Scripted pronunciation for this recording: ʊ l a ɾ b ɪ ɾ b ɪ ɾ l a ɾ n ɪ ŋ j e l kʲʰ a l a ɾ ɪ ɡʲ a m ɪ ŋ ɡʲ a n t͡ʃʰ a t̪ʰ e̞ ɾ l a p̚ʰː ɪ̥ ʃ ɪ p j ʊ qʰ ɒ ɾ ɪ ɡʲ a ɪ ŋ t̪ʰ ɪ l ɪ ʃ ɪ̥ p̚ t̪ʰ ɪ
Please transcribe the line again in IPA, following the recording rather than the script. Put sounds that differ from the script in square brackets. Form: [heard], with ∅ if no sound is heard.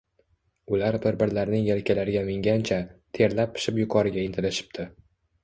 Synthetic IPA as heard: ʊ l a ɾ b ɪ ɾ b ɪ ɾ l a ɾ n ɪ ŋ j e l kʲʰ a l a ɾ ɪ ɡʲ a m ɪ ŋ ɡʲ a n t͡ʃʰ a t̪ʰ e̞ ɾ l a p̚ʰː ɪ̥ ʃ ɪ p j ʊ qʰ ɒ ɾ ɪ ɡʲ a ɪ [n] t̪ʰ ɪ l ɪ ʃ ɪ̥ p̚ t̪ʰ ɪ